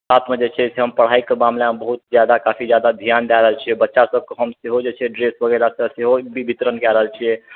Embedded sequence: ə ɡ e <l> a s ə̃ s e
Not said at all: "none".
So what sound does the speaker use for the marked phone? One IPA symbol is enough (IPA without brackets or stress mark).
l